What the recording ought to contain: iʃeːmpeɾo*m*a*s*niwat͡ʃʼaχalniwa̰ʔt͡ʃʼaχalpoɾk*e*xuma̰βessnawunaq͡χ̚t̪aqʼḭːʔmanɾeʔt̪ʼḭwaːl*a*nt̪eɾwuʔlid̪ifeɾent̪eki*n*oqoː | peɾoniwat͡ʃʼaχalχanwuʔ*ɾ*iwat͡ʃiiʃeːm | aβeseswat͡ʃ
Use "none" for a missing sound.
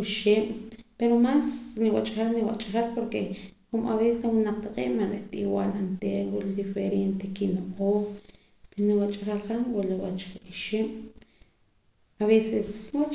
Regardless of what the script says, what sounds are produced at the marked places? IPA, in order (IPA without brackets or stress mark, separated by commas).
m, s, e, a, n, l